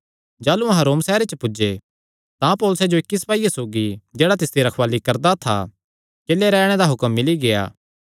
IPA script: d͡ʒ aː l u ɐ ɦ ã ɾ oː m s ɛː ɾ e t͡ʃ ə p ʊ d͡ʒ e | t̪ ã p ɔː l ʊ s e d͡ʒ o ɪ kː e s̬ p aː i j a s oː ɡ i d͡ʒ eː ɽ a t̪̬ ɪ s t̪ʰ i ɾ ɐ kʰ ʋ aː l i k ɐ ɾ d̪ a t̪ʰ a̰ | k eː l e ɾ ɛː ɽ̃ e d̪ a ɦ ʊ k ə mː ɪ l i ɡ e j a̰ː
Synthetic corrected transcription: d͡ʒ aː l u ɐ ɦ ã ɾ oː m s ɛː ɾ e t͡ʃ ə p ʊ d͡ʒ e | t̪ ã p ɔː l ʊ s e d͡ʒ o ɪ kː i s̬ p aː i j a s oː ɡ i d͡ʒ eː ɽ a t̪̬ ɪ s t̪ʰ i ɾ ɐ kʰ ʋ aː l i k ɐ ɾ d̪ a t̪ʰ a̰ | k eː l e ɾ ɛː ɽ̃ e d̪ a ɦ ʊ k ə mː ɪ l i ɡ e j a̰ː